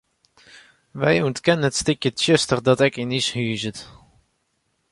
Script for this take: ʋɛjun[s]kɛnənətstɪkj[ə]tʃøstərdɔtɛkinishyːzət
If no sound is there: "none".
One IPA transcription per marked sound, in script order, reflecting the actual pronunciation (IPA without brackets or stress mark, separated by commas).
t, ə